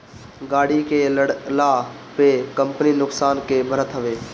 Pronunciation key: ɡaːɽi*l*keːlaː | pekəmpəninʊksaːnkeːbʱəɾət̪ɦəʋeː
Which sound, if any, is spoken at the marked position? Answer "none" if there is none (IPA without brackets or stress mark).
none